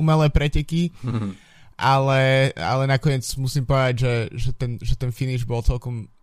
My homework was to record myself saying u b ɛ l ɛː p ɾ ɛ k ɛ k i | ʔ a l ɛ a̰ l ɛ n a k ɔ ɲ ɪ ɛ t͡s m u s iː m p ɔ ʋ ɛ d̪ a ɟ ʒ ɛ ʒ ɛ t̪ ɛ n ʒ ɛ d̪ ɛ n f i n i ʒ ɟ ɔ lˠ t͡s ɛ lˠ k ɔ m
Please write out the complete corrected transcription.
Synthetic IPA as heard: u m ɛ l ɛː p ɾ ɛ c ɛ k i | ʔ a l ɛ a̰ l ɛ n a k ɔ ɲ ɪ ɛ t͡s m u s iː m p ɔ ʋ ɛ d̪ a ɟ ʒ ɛ ʒ ɛ t̪ ɛ n ʒ ɛ t̪ ɛ n f i n i ʒ b ɔ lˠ t͡s ɛ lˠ k ɔ m